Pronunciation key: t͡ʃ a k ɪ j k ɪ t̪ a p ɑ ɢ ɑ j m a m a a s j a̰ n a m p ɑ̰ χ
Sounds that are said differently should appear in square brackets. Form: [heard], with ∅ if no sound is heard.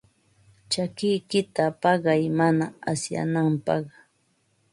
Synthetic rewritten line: t͡ʃ a k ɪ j k ɪ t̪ a p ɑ ɢ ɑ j m a [n] a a s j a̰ n a m p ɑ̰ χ